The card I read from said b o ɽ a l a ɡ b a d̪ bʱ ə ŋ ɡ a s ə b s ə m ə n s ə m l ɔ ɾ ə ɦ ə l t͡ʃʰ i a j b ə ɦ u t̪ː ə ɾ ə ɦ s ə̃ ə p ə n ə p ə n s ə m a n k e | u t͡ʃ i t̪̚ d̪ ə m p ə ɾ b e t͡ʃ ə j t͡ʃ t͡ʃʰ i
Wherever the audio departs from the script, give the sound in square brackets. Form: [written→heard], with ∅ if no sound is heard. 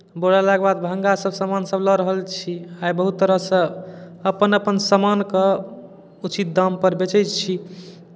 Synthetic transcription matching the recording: b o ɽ a l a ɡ b a d̪ bʱ ə ŋ ɡ a s ə b s ə m [ə→a] n s ə [m→b] l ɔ ɾ ə ɦ ə l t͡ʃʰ i a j b ə ɦ u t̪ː ə ɾ ə ɦ s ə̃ ə p ə n ə p ə n s ə m a n k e | u t͡ʃ i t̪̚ d̪ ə m p ə ɾ b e t͡ʃ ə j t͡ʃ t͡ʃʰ i